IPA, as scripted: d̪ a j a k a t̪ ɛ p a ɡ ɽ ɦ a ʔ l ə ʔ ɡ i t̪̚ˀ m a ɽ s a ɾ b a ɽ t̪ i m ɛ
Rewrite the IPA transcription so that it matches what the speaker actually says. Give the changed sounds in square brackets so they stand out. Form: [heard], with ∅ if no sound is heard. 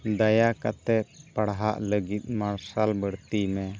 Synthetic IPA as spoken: d̪ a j a k a t̪ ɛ p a [∅] ɽ ɦ a ʔ l ə [∅] ɡ i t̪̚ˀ m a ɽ s a [l] b [ə] ɽ t̪ i m ɛ